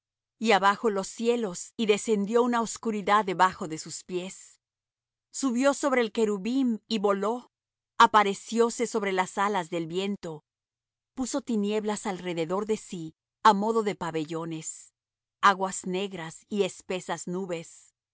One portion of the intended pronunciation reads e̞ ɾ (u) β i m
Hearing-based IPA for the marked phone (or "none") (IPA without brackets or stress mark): u